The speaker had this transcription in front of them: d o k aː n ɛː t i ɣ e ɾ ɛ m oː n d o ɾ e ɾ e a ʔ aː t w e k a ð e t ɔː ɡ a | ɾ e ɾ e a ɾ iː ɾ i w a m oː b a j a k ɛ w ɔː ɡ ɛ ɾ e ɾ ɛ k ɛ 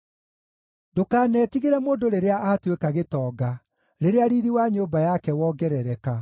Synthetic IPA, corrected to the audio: d o k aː n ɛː t i ɣ e ɾ ɛ m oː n d o ɾ e ɾ e a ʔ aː t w e k a ɣ e t ɔː ɡ a | ɾ e ɾ e a ɾ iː ɾ i w a ɲ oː b a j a k ɛ w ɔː ɡ ɛ ɾ ɛ ɾ ɛ k a